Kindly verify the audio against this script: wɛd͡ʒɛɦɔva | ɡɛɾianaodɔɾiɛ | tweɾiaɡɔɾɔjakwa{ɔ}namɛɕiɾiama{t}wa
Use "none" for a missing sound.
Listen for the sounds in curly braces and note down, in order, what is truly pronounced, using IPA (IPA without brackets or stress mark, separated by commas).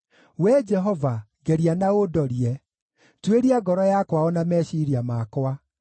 ɔ, k